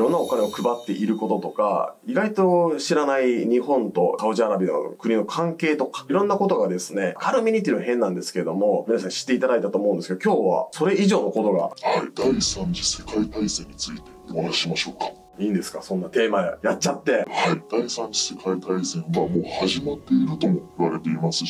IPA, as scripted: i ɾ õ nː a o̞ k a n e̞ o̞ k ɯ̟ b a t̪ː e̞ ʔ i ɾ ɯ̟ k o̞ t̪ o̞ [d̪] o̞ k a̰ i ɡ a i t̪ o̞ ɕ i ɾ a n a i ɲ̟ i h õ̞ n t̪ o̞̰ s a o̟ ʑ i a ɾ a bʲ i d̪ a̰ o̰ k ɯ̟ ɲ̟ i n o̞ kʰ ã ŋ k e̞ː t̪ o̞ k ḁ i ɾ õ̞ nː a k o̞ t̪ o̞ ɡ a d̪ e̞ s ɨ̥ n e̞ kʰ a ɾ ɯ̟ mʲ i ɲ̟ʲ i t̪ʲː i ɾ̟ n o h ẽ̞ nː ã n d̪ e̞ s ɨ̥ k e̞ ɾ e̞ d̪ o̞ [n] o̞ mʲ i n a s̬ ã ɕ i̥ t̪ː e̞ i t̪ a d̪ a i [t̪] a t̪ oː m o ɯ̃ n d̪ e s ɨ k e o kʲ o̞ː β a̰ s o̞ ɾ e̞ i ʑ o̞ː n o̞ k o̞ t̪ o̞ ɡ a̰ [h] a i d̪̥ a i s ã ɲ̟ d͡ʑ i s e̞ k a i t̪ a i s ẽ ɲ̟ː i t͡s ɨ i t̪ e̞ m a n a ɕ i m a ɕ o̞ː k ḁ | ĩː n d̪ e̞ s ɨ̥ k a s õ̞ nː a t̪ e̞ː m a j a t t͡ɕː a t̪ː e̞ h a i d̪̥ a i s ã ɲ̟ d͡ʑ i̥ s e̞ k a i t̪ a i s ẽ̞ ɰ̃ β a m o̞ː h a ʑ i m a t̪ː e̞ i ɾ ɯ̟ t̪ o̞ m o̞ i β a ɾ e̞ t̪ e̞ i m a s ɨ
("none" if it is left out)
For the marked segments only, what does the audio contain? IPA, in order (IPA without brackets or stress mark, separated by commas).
t̪, m, t̪, h